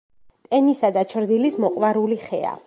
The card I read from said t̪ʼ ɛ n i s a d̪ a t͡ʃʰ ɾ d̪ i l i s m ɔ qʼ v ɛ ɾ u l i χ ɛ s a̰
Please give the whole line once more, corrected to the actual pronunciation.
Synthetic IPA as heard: t̪ʼ ɛ n i s a d̪ a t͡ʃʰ ɾ d̪ i l i s m ɔ qʼ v a ɾ u l i χ ɛ a̰